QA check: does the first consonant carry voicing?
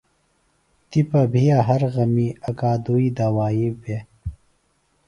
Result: no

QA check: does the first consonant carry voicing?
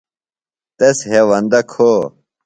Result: no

